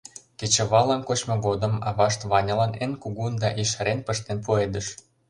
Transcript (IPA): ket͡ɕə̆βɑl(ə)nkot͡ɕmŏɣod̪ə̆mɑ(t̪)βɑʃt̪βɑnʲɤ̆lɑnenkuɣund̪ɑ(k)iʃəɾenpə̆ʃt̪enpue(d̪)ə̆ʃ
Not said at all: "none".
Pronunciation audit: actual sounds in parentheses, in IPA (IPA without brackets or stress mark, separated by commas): ɑ, none, ʔ, d̪